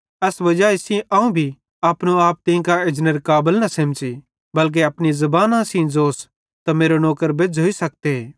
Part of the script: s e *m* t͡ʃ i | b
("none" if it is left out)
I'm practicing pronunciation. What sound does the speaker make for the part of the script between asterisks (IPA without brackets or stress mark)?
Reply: m